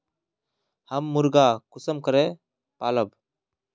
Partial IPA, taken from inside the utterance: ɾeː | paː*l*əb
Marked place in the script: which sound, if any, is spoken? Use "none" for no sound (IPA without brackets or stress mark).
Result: l